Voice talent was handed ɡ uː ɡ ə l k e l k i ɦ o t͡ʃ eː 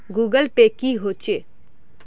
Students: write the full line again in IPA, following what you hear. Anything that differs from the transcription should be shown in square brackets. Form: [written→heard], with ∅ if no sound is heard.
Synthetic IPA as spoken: ɡ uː ɡ ə l [k→p] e [l→∅] k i ɦ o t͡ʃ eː